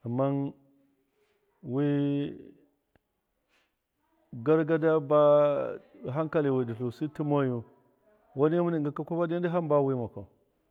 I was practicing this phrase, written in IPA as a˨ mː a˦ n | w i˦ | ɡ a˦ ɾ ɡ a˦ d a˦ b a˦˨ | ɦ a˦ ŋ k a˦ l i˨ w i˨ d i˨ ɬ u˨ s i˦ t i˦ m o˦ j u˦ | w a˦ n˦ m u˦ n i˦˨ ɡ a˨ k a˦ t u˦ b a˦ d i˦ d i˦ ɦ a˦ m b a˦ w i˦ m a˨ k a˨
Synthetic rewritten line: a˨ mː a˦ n | w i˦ | ɡ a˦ ɾ ɡ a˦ d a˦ b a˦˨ | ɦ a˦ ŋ k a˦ l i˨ w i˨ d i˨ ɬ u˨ s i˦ t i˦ m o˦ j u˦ | w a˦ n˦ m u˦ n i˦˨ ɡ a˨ k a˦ k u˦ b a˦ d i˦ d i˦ ɦ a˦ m b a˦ w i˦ m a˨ k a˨